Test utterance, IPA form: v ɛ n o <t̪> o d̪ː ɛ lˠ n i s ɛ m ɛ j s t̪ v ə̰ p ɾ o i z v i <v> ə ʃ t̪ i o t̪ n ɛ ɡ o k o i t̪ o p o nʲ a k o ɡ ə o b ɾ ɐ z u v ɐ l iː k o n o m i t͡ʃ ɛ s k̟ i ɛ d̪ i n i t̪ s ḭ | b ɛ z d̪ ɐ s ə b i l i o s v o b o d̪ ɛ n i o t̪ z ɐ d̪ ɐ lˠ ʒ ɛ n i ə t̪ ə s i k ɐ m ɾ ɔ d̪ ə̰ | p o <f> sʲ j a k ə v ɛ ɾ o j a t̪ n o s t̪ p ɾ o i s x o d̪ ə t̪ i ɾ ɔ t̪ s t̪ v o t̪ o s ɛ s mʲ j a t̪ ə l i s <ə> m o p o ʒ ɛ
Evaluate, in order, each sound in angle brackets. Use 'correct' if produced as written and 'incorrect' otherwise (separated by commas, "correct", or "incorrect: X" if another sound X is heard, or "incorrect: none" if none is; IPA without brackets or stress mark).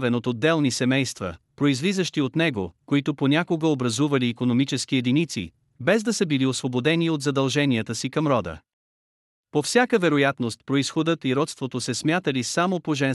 correct, incorrect: z, correct, incorrect: a